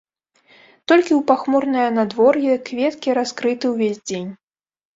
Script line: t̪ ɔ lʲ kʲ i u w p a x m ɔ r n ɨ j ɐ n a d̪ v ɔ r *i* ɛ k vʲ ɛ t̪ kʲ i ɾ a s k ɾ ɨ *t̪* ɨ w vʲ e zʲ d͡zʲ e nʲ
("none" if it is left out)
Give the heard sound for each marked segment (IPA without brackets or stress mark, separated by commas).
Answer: j, t̪